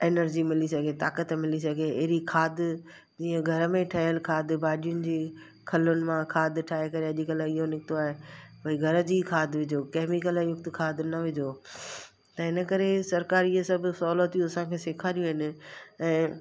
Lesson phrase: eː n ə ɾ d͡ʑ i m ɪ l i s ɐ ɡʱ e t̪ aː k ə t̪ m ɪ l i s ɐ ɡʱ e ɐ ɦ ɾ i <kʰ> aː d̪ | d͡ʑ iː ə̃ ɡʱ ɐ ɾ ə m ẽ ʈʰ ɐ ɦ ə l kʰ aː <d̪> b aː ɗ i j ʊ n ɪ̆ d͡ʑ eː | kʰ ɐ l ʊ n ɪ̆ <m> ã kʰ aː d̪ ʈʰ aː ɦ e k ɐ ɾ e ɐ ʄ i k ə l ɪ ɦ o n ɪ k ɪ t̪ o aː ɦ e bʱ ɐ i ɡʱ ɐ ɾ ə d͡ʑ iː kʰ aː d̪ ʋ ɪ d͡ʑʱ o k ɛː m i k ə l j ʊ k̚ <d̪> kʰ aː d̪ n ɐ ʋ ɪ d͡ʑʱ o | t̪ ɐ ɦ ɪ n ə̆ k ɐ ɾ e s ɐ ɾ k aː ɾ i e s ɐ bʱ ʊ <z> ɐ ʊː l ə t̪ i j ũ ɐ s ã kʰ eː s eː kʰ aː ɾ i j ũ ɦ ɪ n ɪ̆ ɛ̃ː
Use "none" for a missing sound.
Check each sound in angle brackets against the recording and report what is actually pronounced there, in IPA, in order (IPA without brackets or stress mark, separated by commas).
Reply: kʰ, d̪, m, t̪, s